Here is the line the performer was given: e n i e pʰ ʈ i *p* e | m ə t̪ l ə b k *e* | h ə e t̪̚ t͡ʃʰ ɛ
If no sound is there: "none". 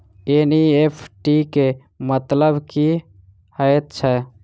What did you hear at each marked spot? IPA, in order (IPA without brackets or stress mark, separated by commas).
k, i